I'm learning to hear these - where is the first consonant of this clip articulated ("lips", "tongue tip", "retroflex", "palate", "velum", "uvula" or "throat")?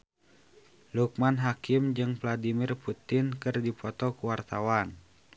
tongue tip